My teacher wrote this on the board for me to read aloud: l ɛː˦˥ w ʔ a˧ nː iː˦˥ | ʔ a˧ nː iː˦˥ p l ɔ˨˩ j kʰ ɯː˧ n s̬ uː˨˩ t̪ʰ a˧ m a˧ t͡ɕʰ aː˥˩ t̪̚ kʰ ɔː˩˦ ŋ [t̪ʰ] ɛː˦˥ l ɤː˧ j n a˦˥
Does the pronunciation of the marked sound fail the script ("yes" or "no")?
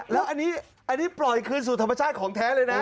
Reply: no